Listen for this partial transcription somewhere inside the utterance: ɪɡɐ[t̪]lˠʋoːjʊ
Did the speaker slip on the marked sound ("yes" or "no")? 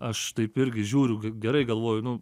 yes